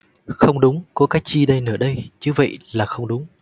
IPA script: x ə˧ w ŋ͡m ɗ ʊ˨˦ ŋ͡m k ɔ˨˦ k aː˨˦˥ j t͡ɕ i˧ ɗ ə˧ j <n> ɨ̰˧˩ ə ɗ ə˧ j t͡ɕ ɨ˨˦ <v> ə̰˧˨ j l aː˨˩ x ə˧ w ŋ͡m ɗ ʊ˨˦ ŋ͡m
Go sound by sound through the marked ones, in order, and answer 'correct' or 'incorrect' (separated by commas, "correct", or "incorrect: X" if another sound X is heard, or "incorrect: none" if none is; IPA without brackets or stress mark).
correct, correct